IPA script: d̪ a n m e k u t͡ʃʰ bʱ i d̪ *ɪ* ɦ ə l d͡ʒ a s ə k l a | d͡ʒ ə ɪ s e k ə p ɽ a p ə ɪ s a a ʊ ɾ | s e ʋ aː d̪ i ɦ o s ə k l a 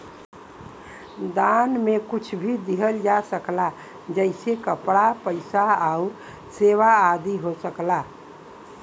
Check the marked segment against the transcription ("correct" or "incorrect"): incorrect